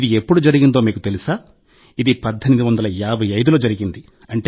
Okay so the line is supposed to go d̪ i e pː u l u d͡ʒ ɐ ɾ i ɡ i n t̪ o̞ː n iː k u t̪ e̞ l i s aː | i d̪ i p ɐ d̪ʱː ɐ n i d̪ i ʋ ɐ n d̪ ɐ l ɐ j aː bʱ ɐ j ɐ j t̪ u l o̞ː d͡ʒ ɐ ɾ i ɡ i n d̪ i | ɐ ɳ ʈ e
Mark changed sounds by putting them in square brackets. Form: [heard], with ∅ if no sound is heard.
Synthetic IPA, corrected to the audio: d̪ i e pː u [ɽ] u d͡ʒ ɐ ɾ i ɡ i n [d̪] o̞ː [m] iː k u t̪ e̞ l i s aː | i d̪ i p ɐ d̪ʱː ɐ n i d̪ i ʋ ɐ n d̪ ɐ l ɐ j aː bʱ ɐ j ɐ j [d̪] u l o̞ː d͡ʒ ɐ ɾ i ɡ i n d̪ i | ɐ ɳ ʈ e